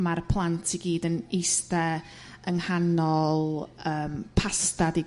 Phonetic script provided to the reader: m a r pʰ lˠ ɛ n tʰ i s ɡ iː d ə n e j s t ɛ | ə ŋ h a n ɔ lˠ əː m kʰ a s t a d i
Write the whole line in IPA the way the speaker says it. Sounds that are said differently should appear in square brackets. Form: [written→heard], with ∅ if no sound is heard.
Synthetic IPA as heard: m a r pʰ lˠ [ɛ→a] n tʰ i [s→∅] ɡ iː d ə n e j s t ɛ | ə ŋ h a n ɔ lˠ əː m [kʰ→pʰ] a s t a d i